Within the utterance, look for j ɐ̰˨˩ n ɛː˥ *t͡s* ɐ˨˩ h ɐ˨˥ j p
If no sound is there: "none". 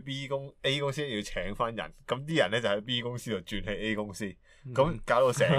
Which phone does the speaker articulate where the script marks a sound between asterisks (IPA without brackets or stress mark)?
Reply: t͡s